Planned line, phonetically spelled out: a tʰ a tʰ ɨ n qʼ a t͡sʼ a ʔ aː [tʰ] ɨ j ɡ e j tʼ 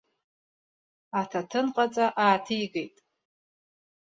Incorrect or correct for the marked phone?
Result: correct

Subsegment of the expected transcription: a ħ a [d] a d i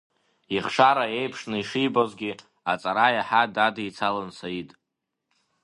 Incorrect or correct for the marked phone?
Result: correct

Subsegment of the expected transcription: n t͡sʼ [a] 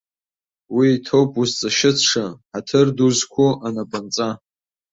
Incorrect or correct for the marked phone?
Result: correct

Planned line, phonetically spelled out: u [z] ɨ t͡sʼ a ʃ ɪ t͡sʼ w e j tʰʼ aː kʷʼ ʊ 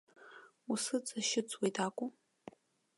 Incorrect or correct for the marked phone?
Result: incorrect: s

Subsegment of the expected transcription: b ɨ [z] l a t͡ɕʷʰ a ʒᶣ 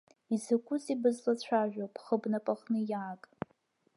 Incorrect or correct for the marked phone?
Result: correct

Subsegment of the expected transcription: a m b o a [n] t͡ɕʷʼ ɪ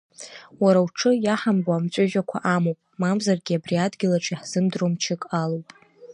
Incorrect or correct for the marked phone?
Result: incorrect: m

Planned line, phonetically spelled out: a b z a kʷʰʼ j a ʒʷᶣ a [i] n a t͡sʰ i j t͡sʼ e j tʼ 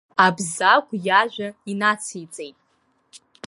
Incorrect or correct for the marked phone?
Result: correct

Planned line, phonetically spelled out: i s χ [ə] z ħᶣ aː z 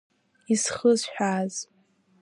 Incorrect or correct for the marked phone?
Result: correct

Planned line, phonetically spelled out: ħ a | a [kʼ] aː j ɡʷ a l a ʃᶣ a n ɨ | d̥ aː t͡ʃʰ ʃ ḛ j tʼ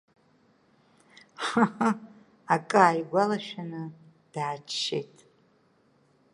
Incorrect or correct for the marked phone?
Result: correct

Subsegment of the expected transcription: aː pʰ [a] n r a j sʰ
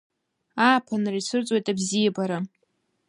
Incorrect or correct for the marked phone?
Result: correct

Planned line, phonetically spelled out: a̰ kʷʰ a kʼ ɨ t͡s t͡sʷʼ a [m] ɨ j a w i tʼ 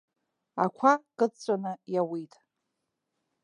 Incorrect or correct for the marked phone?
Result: incorrect: n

